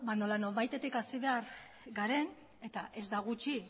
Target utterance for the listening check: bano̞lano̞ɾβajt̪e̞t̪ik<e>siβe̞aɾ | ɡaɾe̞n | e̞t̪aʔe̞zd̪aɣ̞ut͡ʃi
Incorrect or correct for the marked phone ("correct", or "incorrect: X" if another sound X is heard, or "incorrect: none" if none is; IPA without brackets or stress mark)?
incorrect: a